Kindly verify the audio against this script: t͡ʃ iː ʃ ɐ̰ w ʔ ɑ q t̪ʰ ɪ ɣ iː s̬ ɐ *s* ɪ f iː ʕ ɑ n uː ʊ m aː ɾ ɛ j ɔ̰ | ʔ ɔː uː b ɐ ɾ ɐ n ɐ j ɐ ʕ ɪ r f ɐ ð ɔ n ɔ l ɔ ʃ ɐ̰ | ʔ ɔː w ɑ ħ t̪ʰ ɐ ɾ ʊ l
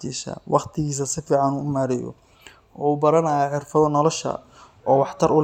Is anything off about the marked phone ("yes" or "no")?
no